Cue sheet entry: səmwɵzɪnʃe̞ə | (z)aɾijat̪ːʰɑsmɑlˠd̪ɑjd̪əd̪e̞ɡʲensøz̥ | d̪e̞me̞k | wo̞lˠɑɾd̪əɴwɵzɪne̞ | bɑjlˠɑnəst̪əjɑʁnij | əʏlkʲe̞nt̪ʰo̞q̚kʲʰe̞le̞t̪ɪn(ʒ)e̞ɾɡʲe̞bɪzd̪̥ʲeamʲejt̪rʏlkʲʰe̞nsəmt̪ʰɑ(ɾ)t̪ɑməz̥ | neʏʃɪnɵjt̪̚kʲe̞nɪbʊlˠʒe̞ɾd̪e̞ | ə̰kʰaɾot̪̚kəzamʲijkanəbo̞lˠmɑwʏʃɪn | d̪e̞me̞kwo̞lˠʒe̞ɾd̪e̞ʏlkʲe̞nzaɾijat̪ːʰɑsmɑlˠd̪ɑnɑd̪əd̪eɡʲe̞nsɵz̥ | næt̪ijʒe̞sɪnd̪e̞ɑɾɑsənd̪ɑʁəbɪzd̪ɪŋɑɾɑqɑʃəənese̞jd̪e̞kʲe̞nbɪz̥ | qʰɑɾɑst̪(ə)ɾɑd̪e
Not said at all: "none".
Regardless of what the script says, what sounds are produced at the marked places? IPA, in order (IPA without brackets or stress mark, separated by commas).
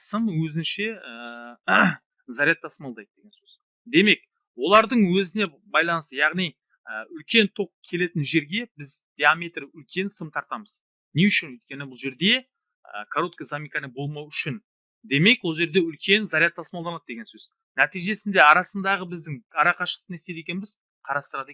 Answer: z, ʒ, ɾ, ə